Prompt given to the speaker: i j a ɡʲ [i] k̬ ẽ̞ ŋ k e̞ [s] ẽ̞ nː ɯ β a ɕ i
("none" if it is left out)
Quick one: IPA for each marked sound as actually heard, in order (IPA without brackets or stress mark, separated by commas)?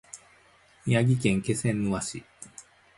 i, s